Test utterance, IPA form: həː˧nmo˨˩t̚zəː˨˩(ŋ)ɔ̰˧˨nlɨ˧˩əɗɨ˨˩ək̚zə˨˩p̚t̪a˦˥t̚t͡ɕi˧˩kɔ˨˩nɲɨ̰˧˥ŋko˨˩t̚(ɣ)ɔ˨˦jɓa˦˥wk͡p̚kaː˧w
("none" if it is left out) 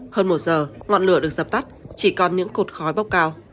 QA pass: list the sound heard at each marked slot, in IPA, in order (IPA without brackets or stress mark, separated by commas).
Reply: ŋ, x